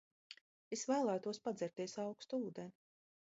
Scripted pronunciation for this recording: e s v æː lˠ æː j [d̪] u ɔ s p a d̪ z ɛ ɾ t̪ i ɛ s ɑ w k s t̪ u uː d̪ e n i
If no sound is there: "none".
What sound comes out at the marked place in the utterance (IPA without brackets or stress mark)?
t̪